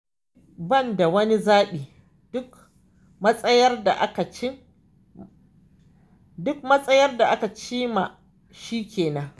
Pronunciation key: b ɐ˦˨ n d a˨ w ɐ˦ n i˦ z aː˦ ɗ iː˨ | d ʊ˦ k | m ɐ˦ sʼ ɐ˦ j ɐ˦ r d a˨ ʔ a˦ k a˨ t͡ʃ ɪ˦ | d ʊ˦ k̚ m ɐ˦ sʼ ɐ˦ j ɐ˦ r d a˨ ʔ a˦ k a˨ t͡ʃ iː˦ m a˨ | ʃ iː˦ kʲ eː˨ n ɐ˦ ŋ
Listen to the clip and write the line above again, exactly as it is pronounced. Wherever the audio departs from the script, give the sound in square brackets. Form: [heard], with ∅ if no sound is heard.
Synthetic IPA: b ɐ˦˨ n d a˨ w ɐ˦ n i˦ z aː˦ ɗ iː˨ | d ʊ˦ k | m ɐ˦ sʼ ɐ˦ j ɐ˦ r d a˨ ʔ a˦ k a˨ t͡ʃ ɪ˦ | d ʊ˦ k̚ m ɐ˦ sʼ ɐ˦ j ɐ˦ r d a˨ ʔ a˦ k a˨ t͡ʃ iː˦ m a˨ | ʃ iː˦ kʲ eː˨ n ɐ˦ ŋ